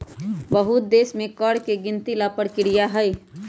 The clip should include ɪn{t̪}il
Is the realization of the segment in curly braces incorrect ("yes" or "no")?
no